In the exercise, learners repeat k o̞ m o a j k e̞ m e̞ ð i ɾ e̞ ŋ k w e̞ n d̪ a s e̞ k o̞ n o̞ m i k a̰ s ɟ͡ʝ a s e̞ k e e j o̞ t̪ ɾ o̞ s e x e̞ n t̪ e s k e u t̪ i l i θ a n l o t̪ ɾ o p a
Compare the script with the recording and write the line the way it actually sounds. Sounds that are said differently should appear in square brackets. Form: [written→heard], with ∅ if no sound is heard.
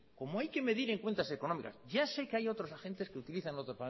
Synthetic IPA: k o̞ m o a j k e̞ m e̞ ð i ɾ e̞ ŋ k w e̞ n [d̪→t̪] a s e̞ k o̞ n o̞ m i k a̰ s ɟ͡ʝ a s e̞ k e [e→a] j o̞ t̪ ɾ o̞ s [e→a] x e̞ n t̪ e s k e u t̪ i l i θ a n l o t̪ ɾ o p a